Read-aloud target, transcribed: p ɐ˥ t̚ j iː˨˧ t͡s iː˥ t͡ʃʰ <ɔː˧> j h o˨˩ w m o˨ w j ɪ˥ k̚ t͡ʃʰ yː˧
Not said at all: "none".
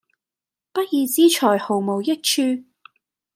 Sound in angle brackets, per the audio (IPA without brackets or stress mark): ɔː˨˩